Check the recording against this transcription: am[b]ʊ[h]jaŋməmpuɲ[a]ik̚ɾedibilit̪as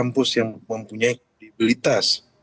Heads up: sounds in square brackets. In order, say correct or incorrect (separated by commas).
incorrect, incorrect, correct